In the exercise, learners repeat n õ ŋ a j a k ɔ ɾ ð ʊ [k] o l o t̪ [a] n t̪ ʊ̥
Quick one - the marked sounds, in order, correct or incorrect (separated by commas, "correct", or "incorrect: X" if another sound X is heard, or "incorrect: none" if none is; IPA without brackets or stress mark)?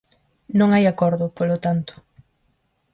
incorrect: p, correct